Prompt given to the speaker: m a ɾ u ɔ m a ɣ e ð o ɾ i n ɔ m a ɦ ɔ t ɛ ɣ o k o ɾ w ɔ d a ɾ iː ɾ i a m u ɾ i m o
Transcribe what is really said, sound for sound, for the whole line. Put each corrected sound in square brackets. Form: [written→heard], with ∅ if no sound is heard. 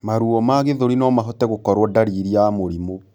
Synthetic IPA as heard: m a ɾ u ɔ m a ɣ e ð o ɾ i n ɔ m a ɦ ɔ t ɛ ɣ o k [o→ɔ] ɾ w ɔ d a ɾ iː ɾ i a m [u→o] ɾ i m o